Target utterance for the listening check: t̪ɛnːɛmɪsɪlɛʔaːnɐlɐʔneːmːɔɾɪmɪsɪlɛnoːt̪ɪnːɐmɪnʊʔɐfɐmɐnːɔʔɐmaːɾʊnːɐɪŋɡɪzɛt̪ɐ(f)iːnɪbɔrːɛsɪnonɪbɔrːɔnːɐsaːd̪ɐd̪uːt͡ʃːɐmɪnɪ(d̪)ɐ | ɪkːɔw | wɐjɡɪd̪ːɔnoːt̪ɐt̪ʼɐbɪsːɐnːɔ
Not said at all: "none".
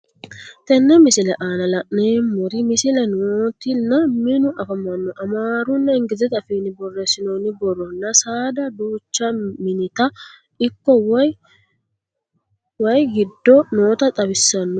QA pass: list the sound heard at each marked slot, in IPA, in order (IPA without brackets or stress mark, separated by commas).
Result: f, t̪